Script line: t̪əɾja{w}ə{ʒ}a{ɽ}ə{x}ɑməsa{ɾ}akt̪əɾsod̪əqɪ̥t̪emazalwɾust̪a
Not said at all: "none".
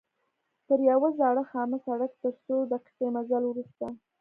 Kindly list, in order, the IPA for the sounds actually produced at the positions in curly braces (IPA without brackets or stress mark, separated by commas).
w, z, ɽ, x, ɽ